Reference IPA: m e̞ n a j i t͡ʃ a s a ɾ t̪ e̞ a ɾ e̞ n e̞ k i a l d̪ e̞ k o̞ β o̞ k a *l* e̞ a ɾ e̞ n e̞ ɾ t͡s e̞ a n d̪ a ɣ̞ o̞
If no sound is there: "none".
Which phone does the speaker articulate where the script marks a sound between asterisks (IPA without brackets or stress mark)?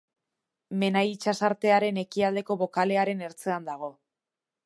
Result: l